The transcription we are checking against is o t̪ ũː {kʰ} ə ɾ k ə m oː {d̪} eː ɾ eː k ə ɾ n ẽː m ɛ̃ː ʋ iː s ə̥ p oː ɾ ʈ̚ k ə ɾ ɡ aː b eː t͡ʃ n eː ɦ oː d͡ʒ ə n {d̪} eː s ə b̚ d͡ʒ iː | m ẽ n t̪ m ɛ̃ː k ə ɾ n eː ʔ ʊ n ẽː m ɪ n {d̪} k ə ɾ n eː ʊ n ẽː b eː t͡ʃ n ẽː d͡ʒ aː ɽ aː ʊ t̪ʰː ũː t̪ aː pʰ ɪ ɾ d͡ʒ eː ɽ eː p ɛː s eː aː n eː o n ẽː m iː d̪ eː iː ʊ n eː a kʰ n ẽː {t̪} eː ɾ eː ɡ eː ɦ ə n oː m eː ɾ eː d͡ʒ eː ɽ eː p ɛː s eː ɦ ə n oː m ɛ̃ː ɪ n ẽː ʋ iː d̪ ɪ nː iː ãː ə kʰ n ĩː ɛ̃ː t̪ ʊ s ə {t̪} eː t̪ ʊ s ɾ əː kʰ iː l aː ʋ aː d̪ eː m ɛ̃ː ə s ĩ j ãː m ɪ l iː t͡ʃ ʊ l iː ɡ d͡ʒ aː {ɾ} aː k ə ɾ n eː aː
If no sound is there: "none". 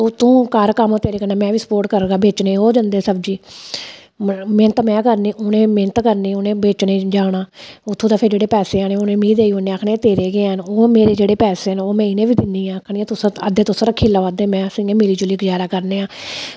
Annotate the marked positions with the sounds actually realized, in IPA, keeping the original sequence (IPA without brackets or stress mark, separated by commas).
k, t̪, d̪, t̪, t̪, d̪, ɾ